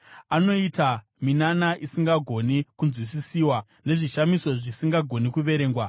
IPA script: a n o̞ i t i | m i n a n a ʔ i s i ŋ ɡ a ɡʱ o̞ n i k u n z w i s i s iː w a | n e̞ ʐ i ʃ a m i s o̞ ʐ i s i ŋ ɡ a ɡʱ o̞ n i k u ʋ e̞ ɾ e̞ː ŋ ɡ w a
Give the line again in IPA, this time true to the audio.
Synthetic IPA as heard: a n o̞ i t a | m i n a n a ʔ i s i ŋ ɡ a ɡʱ o̞ n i k u n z w i s i s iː w a | n e̞ ʐ i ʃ a m i s o̞ ʐ i s i ŋ ɡ a ɡʱ o̞ n i k u ʋ e̞ ɾ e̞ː ŋ ɡ w a